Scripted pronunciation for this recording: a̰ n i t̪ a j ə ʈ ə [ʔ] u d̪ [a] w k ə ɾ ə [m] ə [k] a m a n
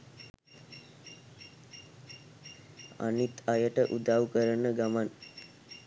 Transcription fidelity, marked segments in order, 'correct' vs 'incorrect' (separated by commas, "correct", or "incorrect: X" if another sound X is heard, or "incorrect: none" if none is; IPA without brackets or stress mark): correct, correct, incorrect: n, incorrect: ɡ